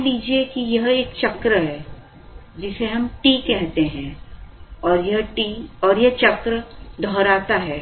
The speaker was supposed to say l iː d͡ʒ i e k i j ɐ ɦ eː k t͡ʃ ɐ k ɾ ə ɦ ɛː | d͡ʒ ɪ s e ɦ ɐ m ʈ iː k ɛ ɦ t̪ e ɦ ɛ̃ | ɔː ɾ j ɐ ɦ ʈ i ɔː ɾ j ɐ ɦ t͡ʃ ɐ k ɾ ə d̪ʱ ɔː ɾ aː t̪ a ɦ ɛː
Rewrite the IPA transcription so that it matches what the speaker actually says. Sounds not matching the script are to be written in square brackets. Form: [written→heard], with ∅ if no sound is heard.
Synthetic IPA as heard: l iː d͡ʒ i e k i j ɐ ɦ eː k t͡ʃ ɐ k ɾ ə ɦ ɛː | d͡ʒ ɪ s e ɦ ɐ m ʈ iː k ɛ ɦ t̪ e ɦ ɛ̃ | ɔː ɾ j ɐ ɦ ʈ i ɔː ɾ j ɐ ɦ t͡ʃ ɐ k ɾ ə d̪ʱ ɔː ɾ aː t̪ a ɦ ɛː